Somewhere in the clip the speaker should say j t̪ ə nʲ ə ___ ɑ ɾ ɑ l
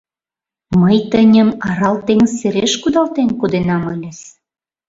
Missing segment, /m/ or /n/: m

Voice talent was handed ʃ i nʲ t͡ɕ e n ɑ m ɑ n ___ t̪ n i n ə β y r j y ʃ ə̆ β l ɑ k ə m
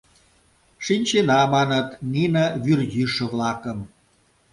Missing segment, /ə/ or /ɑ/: ə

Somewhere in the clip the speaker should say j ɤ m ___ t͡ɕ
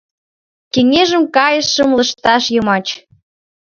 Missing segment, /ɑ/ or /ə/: ɑ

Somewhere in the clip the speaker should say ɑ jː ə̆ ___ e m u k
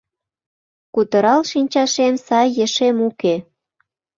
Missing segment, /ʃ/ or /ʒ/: ʃ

